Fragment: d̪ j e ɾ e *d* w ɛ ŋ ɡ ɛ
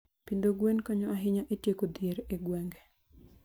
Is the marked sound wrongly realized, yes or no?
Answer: yes